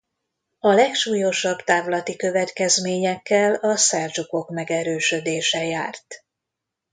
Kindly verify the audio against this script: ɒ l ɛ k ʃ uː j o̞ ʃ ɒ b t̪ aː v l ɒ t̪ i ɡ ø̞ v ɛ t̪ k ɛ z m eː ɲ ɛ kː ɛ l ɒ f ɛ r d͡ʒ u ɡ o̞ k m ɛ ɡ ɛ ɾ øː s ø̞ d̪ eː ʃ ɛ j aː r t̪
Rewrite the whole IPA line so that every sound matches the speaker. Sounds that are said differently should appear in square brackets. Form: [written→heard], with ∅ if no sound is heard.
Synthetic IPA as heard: ɒ l ɛ k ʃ uː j o̞ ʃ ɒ b t̪ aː v l ɒ t̪ i [ɡ→k] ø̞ v ɛ t̪ k ɛ z m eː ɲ ɛ kː ɛ l ɒ [f→s] ɛ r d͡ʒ u [ɡ→k] o̞ k m ɛ ɡ ɛ ɾ øː [s→ʃ] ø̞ d̪ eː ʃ ɛ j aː r t̪